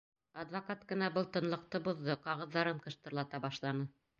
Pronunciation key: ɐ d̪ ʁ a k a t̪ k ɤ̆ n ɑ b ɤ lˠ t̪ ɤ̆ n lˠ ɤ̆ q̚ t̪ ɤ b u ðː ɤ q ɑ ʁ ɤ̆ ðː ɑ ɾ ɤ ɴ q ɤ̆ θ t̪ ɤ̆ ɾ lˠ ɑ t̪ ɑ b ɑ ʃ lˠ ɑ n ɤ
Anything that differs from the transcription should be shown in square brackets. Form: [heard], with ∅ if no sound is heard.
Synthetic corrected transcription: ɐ d̪ [v] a k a t̪ k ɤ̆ n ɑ b ɤ lˠ t̪ ɤ̆ n lˠ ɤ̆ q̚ t̪ ɤ b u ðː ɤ q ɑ ʁ ɤ̆ ðː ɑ ɾ ɤ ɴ q ɤ̆ [ʃ] t̪ ɤ̆ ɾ lˠ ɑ t̪ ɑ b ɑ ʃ lˠ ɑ n ɤ